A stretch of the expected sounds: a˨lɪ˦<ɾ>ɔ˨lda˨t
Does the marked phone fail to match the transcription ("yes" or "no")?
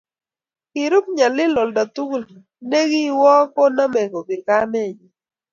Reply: yes